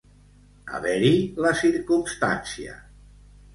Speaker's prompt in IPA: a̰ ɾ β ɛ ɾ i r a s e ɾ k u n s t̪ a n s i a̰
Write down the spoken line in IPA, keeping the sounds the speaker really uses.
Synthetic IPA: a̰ β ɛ ɾ i l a s i ɾ k u m s t̪ a n s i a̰